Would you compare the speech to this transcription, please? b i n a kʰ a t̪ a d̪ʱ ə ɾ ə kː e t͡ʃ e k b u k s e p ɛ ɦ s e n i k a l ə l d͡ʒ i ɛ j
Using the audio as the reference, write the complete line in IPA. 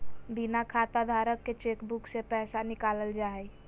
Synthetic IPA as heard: b i n a kʰ a t̪ a d̪ʱ a ɾ ə kː e t͡ʃ e k b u k s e p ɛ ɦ s a n i k a l ə l d͡ʒ a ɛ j